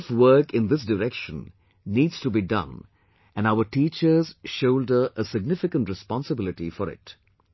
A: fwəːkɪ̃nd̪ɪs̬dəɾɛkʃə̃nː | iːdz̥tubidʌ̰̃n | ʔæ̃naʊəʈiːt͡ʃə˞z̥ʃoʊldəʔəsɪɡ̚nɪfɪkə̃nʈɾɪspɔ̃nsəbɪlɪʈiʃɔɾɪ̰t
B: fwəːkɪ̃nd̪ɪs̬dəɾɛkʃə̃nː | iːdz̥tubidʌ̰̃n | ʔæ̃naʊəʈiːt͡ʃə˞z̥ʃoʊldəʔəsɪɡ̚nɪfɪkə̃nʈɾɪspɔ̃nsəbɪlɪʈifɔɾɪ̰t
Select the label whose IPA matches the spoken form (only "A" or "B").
B